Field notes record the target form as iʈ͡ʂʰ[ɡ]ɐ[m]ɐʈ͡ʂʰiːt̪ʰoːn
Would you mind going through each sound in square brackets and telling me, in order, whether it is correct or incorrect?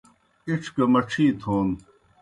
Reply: incorrect, correct

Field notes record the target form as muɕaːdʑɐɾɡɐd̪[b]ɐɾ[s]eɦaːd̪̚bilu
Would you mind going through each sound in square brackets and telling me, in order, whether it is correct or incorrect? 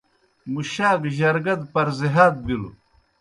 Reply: incorrect, incorrect

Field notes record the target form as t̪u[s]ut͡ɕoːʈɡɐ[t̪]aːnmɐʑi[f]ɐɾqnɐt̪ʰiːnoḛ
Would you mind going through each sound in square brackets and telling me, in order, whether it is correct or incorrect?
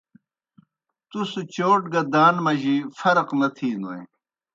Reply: correct, incorrect, correct

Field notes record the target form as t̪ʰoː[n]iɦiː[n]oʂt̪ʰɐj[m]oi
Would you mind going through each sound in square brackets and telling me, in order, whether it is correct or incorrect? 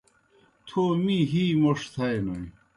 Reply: incorrect, incorrect, incorrect

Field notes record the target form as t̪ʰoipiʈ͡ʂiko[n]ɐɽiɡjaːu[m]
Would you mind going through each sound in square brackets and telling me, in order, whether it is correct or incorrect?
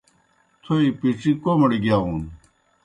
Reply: incorrect, incorrect

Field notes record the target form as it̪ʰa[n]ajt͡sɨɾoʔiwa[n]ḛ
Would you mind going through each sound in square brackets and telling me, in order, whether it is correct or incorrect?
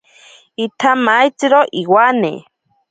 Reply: incorrect, correct

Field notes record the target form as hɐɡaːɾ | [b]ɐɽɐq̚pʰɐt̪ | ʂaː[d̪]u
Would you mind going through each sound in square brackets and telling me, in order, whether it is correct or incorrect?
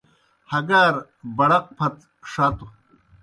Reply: correct, incorrect

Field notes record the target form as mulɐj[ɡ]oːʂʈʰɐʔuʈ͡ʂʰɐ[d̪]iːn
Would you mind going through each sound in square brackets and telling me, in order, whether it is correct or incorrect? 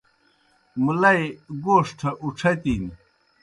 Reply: correct, incorrect

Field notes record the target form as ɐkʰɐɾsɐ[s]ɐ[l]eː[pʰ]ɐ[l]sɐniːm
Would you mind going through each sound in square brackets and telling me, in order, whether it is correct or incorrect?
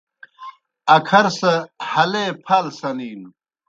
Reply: incorrect, correct, correct, correct

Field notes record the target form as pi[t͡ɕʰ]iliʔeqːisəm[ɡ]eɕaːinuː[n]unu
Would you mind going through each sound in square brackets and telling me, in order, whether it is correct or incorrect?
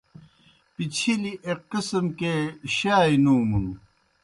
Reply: correct, incorrect, incorrect

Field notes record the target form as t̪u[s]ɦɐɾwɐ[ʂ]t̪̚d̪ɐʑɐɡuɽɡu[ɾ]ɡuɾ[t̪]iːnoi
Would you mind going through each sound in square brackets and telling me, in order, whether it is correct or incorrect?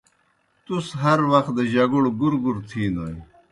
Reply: correct, incorrect, correct, incorrect

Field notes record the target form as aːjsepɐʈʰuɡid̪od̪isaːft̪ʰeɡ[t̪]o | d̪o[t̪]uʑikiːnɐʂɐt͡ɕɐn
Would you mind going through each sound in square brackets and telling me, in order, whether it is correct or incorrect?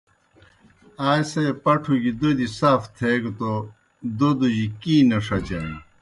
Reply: correct, incorrect

